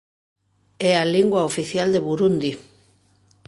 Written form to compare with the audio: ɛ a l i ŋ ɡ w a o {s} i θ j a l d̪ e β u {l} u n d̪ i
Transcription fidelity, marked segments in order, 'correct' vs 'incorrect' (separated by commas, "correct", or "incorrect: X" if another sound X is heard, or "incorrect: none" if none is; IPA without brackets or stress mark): incorrect: f, incorrect: ɾ